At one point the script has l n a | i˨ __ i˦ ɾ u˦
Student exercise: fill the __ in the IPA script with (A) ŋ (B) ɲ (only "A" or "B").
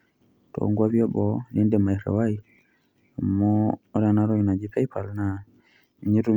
B